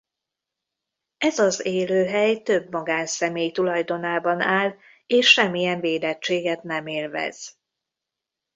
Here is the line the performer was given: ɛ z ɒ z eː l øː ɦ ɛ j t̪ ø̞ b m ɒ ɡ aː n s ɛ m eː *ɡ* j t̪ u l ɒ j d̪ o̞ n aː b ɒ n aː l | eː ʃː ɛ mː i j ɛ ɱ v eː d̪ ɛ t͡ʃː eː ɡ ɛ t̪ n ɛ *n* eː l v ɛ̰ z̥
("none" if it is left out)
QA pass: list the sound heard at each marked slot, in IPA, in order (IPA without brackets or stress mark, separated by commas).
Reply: none, m